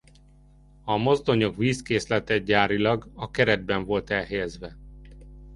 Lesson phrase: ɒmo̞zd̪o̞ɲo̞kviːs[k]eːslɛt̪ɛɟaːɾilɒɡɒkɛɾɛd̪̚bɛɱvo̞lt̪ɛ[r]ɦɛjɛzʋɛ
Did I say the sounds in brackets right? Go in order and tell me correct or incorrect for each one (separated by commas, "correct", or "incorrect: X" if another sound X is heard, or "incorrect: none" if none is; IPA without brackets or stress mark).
correct, incorrect: l